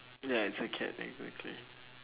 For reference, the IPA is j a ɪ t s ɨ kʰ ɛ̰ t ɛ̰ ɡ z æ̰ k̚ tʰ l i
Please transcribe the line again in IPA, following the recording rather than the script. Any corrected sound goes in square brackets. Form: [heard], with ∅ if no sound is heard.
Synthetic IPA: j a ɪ t s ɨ kʰ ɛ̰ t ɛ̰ ɡ z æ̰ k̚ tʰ l i